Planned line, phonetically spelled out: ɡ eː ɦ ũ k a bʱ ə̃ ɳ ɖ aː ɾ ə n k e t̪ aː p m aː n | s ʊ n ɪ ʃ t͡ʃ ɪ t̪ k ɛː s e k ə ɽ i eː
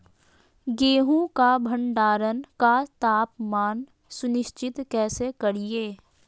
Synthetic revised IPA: ɡ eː ɦ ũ k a bʱ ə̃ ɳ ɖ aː ɾ ə n k a t̪ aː p m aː n | s ʊ n ɪ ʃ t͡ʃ ɪ t̪ k ɛː s e k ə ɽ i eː